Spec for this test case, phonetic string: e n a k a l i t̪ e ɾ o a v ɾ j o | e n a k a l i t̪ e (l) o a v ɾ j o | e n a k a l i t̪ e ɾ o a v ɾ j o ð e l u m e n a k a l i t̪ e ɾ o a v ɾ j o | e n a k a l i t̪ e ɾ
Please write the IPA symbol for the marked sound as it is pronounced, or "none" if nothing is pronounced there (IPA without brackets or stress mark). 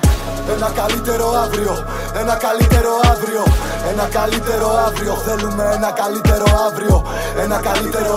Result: ɾ